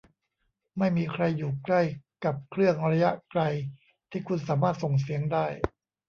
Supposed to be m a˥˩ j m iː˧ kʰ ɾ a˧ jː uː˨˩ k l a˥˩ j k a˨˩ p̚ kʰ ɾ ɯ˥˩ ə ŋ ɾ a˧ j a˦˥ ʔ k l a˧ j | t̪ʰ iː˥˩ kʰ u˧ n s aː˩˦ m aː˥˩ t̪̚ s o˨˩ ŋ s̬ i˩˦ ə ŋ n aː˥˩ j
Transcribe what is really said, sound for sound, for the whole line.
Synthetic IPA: m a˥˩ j m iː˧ kʰ ɾ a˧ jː uː˨˩ k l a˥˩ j k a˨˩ p̚ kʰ ɾ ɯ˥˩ ə ŋ ɾ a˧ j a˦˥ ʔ k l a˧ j | t̪ʰ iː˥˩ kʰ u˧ n s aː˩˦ m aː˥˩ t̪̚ s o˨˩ ŋ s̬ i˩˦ ə ŋ d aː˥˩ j

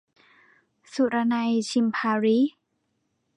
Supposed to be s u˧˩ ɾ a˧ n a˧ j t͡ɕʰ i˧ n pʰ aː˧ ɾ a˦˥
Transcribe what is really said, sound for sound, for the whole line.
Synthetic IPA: s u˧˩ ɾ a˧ n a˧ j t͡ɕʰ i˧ m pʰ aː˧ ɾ i˦˥

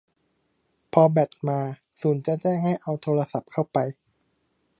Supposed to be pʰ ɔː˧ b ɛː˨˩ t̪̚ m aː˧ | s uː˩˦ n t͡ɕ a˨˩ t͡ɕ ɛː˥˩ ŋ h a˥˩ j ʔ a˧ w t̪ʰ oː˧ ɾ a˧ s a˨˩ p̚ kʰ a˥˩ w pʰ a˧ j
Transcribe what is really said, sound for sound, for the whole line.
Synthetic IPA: pʰ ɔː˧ b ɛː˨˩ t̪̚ m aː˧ | s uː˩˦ n t͡ɕ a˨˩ t͡ɕ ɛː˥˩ ŋ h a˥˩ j ʔ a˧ w t̪ʰ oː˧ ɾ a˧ s a˨˩ p̚ kʰ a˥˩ w p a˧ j

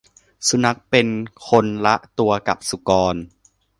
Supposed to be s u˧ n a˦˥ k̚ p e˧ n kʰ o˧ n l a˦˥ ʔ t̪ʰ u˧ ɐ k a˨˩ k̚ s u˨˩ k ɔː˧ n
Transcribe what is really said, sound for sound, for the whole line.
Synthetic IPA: s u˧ n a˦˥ k̚ p e˧ n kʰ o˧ n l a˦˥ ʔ t̪ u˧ ɐ k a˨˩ p̚ s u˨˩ k ɔː˧ n

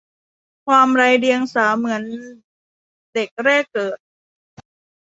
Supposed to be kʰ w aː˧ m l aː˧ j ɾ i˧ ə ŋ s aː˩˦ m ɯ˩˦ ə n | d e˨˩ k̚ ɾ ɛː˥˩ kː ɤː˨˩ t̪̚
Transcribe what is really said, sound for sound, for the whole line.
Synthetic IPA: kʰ w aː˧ m ɾ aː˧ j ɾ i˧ ə ŋ s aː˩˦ m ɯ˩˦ ə n | d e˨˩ k̚ ɾ ɛː˥˩ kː ɤː˨˩ t̪̚

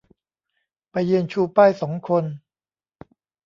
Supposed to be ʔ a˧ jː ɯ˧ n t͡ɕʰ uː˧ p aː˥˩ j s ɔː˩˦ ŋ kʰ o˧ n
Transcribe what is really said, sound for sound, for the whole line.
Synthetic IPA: p a˧ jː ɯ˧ n t͡ɕʰ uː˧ p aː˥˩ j s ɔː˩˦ ŋ kʰ o˧ n

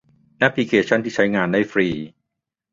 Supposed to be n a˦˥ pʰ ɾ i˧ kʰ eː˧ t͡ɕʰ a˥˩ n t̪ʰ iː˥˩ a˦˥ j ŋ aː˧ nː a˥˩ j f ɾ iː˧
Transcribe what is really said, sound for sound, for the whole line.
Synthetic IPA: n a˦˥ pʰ l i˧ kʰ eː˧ t͡ɕʰ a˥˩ n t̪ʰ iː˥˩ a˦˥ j ŋ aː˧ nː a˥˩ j f ɾ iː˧

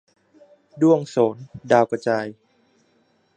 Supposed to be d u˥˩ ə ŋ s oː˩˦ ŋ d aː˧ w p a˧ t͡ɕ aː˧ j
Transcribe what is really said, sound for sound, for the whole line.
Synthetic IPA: d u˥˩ ə ŋ s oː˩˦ n d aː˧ w k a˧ t͡ɕ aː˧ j

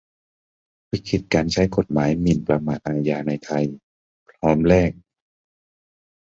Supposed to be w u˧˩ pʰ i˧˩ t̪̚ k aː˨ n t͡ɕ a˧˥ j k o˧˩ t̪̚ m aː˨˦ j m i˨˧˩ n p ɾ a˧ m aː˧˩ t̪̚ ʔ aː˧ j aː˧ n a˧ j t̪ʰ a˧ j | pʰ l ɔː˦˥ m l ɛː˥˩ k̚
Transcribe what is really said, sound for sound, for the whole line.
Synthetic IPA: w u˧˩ kʰ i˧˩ t̪̚ k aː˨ n t͡ɕʰ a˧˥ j k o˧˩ t̪̚ m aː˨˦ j m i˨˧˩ n p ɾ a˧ m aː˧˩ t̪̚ ʔ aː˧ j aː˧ n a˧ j t̪ʰ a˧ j | pʰ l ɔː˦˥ m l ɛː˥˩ k̚

